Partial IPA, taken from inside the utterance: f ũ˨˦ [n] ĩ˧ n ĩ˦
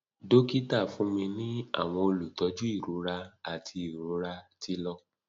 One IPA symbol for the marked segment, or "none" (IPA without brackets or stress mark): m